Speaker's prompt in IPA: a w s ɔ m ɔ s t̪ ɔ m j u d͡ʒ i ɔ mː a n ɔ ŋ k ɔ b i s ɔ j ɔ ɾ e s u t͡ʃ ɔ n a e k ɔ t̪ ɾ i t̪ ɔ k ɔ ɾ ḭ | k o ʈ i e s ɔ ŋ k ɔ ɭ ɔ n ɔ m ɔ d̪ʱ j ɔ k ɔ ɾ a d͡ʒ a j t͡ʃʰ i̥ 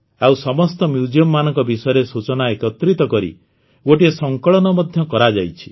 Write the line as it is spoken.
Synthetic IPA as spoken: a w s ɔ m ɔ s t̪ ɔ m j u d͡ʒ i ɔ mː a n ɔ ŋ k ɔ b i s ɔ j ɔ ɾ e s u t͡ʃ ɔ n a e k ɔ t̪ ɾ i t̪ ɔ k ɔ ɾ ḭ | ɡ o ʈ i e s ɔ ŋ k ɔ ɭ ɔ n ɔ m ɔ d̪ʱ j ɔ k ɔ ɾ a d͡ʒ a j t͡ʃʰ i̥